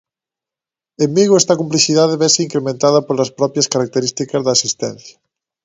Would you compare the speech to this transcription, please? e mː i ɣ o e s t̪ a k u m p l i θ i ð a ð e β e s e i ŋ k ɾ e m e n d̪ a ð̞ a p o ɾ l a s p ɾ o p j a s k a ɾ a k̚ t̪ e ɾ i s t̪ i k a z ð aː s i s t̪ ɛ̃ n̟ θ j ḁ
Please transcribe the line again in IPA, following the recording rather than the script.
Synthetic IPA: e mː i ɣ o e s t̪ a k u m p l i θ i ð a ð e β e s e i ŋ k ɾ e m ẽ n t̪ a ð̞ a p o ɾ l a s p ɾ ɔ p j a s k a ɾ a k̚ t̪ e ɾ i s t̪ i k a z ð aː s i s t̪ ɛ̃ n̟ θ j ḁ